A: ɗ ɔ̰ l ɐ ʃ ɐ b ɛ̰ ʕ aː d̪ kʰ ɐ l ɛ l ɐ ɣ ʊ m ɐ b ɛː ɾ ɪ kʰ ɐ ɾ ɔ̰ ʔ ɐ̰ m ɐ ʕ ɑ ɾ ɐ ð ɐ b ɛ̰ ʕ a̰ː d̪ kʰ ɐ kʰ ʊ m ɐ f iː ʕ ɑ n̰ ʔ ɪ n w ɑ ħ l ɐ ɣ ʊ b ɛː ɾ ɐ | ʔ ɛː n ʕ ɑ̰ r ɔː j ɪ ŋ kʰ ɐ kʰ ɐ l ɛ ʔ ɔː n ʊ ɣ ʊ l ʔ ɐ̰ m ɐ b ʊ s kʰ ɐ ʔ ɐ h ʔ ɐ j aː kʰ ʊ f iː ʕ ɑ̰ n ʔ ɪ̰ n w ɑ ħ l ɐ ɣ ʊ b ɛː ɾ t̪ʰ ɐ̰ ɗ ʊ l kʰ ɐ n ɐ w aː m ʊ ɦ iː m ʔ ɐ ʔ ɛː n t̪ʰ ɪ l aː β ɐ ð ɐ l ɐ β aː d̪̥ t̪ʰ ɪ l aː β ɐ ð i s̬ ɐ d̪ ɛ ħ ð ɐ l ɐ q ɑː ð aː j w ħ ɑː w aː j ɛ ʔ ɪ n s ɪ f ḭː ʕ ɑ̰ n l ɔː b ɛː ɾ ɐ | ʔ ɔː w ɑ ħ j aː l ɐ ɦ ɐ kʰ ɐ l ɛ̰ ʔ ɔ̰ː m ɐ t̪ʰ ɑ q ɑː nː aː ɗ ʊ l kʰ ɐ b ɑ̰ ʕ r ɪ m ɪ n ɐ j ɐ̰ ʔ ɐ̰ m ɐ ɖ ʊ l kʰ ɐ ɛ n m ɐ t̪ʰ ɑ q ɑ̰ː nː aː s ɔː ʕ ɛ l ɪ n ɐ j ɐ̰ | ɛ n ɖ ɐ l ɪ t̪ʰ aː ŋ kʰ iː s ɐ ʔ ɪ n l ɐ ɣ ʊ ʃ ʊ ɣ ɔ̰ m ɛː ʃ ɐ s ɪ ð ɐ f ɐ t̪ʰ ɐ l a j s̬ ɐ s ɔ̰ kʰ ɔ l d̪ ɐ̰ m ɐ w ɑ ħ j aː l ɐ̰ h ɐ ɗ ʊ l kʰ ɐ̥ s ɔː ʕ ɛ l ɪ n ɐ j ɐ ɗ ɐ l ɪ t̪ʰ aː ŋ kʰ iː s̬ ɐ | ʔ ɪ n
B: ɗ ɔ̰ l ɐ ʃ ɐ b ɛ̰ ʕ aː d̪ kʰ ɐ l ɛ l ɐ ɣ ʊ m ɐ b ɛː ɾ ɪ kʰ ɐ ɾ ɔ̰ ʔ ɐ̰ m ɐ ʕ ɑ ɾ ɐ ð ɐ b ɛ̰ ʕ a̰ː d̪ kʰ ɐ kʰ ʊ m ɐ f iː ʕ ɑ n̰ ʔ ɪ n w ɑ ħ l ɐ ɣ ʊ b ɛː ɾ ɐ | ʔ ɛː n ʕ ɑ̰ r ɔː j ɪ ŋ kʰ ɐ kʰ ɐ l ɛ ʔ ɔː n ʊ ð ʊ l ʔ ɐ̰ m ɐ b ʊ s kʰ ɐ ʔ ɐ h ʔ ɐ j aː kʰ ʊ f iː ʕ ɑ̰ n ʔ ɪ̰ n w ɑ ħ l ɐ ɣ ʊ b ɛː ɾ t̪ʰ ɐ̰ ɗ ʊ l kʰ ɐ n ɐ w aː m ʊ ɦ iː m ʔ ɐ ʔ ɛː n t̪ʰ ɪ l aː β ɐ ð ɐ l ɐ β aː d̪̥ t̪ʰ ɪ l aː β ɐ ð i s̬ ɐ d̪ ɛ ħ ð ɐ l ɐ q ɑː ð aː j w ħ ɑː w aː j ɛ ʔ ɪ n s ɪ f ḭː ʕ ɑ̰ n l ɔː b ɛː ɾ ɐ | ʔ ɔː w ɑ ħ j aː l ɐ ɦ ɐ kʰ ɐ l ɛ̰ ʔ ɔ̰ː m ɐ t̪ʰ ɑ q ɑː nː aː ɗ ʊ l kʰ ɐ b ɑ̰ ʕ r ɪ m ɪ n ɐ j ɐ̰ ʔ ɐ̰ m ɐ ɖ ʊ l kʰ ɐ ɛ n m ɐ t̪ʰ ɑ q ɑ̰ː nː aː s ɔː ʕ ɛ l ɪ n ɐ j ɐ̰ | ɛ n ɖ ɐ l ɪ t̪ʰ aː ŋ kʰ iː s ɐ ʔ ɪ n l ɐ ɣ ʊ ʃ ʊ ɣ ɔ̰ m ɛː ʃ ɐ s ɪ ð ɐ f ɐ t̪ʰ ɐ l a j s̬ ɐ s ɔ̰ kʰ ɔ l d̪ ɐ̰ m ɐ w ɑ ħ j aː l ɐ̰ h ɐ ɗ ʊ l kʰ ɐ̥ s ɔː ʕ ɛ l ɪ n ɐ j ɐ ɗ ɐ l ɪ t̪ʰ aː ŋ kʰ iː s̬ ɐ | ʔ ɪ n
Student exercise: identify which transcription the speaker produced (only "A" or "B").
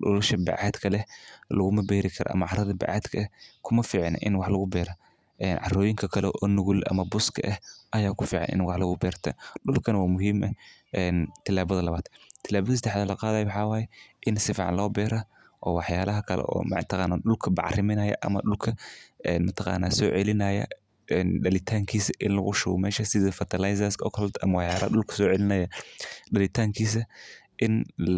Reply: A